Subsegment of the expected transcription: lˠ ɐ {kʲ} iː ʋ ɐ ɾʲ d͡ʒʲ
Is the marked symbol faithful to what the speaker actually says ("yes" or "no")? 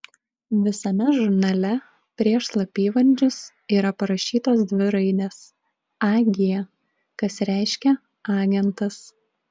no